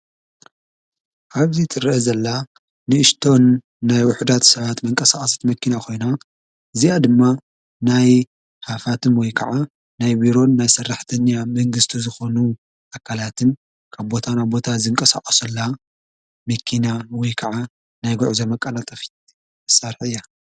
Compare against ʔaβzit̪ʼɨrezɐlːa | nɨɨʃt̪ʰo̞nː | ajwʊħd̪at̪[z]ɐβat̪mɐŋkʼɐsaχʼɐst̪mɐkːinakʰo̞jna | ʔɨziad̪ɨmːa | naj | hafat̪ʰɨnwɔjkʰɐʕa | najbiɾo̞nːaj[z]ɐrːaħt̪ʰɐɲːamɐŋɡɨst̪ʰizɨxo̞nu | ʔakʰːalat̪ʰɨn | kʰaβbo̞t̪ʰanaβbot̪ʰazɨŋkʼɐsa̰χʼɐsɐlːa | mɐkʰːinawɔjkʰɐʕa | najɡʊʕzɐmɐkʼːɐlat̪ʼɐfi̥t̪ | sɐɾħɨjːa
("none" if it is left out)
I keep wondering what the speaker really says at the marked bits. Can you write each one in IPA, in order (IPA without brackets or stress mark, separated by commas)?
s, s